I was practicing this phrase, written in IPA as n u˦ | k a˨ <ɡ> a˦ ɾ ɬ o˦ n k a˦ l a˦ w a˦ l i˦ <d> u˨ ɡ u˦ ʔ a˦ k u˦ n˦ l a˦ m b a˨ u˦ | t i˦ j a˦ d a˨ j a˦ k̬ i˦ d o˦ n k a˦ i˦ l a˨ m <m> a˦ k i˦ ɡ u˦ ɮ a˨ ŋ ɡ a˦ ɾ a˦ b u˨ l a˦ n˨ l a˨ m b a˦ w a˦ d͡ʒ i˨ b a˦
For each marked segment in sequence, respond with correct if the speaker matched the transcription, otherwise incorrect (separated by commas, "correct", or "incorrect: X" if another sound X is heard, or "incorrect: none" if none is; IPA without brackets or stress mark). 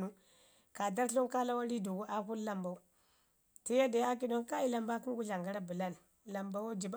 incorrect: d, correct, incorrect: b